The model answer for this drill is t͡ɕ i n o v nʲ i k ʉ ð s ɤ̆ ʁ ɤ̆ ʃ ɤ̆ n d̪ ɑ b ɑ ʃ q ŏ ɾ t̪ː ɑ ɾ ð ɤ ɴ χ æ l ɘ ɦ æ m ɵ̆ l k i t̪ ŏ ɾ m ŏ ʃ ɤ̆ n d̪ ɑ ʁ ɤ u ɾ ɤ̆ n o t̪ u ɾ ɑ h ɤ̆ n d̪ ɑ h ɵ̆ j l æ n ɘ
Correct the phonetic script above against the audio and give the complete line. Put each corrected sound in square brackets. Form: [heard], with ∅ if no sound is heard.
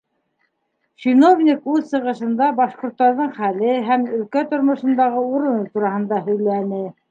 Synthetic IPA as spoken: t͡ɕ i n o v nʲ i k ʉ ð s ɤ̆ ʁ ɤ̆ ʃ ɤ̆ n d̪ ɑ b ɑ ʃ q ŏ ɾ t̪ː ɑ ɾ ð ɤ ɴ χ æ l ɘ ɦ æ m ɵ̆ l k [æ] t̪ ŏ ɾ m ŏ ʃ ɤ̆ n d̪ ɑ ʁ ɤ u ɾ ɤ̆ n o t̪ u ɾ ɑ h ɤ̆ n d̪ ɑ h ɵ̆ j l æ n ɘ